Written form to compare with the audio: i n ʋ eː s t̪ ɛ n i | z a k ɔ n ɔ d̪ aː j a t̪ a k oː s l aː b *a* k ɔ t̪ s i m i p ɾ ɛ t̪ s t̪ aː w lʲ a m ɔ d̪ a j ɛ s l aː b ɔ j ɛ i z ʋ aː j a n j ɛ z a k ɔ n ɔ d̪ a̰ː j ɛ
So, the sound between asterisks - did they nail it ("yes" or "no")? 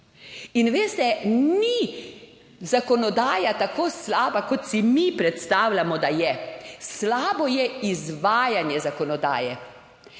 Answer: yes